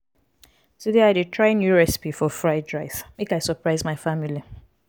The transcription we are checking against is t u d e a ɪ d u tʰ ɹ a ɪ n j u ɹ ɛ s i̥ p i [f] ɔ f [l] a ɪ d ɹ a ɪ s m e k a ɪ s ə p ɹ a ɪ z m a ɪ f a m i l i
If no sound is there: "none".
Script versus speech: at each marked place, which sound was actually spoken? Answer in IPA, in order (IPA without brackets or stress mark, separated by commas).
f, ɹ